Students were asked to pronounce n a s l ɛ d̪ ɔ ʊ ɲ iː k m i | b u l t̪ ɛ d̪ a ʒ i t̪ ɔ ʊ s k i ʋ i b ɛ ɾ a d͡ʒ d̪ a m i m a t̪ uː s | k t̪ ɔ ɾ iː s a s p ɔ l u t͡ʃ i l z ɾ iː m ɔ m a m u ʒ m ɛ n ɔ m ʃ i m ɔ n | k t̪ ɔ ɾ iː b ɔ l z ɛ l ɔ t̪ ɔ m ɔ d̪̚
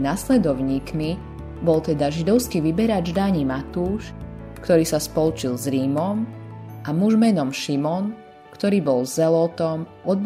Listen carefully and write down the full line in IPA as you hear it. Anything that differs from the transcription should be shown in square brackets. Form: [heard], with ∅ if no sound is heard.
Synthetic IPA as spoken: n a s l ɛ d̪ ɔ ʊ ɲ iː k m i | b [ɔ] l t̪ ɛ d̪ a ʒ i [d̪] ɔ ʊ s k i ʋ i b ɛ ɾ a d͡ʒ d̪ a [ɲ] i m a t̪ uː [ʃ] | k t̪ ɔ ɾ iː s a s p ɔ l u t͡ʃ i l z ɾ iː m ɔ m a m u ʒ m ɛ n ɔ m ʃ i m ɔ n | k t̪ ɔ ɾ iː b ɔ l z ɛ l ɔ t̪ ɔ m ɔ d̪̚